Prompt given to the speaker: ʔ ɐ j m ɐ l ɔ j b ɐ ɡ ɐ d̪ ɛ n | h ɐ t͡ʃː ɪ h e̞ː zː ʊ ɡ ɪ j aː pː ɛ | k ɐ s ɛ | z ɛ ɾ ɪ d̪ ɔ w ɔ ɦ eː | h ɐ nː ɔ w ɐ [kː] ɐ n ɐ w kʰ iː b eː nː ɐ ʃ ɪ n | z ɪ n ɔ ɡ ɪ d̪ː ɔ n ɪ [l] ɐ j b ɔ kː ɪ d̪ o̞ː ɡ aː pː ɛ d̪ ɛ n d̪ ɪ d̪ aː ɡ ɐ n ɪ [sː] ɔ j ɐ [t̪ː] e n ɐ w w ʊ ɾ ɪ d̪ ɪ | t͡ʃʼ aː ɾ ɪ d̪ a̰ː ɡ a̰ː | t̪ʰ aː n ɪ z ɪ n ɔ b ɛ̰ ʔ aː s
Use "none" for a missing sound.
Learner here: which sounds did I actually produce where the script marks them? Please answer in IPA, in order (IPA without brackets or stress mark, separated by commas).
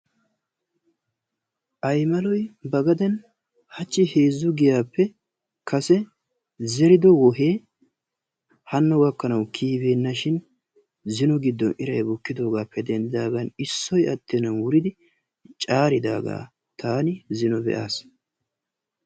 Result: kː, ɾ, sː, t̪ː